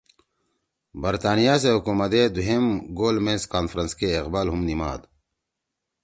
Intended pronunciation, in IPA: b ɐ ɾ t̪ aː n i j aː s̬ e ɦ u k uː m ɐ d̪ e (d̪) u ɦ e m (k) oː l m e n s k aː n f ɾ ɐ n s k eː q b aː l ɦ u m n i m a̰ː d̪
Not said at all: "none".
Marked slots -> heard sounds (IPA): d̪, ɡ

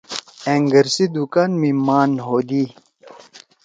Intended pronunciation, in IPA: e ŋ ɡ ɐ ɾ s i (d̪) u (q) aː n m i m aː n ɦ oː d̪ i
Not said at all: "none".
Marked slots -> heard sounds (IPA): d̪, k

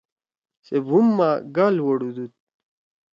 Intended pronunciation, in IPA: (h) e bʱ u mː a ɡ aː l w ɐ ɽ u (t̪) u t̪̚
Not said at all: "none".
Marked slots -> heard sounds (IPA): s, d̪

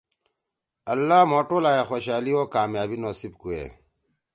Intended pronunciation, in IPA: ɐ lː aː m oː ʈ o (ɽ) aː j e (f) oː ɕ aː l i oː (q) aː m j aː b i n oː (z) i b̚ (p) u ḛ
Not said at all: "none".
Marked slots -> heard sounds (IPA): l, x, k, s, k

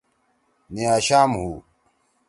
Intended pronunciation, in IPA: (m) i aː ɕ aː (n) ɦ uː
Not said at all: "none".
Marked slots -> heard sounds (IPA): n, m

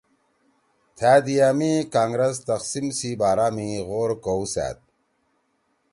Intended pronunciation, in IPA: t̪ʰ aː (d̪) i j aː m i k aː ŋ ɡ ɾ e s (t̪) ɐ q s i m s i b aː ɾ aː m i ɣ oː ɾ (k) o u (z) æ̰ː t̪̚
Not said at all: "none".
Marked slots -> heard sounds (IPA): d̪, t̪, k, s

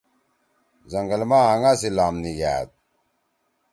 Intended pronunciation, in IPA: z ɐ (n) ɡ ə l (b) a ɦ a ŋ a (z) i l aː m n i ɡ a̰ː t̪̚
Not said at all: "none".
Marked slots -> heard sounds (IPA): ŋ, m, s

